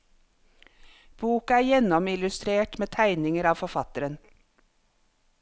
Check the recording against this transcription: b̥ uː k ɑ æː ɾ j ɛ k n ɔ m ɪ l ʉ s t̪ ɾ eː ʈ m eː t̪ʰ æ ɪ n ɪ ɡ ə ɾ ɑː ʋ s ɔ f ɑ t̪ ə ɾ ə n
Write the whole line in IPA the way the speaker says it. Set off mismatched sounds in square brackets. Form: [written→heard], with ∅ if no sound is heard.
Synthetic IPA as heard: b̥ uː k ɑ æː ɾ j ɛ [k→∅] n ɔ m ɪ l ʉ s t̪ ɾ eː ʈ m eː t̪ʰ æ ɪ n ɪ [ɡ→ŋ] ə ɾ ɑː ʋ [s→f] ɔ f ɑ t̪ ə ɾ ə n

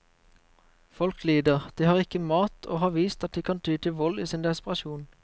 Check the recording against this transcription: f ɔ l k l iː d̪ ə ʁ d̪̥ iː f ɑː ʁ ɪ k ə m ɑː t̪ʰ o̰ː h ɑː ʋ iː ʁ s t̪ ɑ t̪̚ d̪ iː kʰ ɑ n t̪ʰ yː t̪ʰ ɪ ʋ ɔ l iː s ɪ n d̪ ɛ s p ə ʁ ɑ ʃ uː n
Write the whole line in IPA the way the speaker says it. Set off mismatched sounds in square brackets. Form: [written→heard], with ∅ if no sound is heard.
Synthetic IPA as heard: f ɔ l k l iː d̪ ə ʁ d̪̥ iː [f→h] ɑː ʁ ɪ k ə m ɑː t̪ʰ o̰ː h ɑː ʋ iː [ʁ→∅] s t̪ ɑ t̪̚ d̪ iː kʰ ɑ n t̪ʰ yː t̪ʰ ɪ ʋ ɔ l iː s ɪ n d̪ ɛ s p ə ʁ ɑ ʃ uː n

